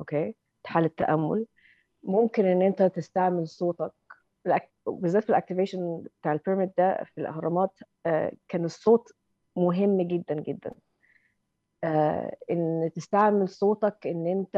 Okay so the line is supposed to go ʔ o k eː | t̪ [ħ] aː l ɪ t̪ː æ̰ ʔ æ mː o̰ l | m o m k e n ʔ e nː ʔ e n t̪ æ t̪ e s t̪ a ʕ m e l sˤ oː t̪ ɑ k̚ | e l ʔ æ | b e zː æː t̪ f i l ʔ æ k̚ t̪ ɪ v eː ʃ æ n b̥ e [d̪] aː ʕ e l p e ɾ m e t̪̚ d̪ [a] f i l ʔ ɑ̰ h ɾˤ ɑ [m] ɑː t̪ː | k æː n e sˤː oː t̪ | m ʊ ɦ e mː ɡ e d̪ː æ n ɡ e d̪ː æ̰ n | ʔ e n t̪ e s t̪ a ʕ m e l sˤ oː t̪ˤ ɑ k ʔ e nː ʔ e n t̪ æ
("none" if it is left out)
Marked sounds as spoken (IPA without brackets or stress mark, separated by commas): ħ, t̪, æ, m